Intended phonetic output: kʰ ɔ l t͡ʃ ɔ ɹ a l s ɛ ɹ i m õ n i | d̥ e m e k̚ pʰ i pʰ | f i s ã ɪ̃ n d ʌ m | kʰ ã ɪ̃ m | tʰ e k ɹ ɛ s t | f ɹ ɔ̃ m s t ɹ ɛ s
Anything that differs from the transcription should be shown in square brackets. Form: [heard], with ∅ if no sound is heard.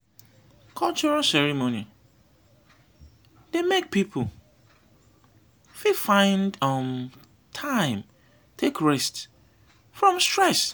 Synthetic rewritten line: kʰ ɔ l t͡ʃ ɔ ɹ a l s ɛ ɹ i m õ n i | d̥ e m e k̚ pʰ i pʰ | f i [f] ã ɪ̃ n d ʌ m | [tʰ] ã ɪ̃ m | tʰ e k ɹ ɛ s t | f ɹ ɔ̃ m s t ɹ ɛ s